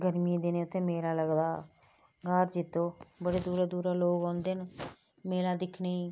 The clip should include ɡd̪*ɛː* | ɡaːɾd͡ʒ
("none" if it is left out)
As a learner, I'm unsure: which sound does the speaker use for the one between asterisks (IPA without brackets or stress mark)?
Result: aː